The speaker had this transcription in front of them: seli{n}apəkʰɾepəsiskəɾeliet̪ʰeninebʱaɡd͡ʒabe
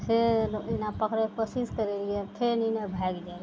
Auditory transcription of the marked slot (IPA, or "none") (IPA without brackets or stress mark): n